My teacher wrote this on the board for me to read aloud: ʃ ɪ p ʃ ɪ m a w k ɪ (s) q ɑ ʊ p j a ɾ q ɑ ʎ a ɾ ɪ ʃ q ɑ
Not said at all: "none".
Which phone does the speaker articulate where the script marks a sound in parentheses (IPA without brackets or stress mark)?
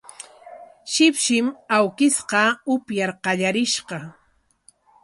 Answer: s